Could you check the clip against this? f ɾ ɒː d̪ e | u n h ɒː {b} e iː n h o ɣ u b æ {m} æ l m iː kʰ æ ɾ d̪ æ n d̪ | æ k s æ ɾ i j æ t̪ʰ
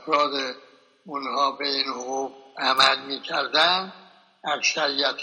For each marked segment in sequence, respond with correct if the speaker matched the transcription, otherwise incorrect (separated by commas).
correct, correct